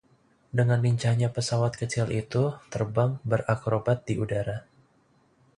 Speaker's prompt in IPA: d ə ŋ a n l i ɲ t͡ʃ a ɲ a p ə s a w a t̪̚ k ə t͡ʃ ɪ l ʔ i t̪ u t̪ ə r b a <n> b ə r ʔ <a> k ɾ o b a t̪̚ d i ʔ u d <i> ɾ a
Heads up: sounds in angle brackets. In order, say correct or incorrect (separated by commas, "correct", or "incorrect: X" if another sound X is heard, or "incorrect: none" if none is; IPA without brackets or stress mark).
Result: incorrect: ŋ, correct, incorrect: a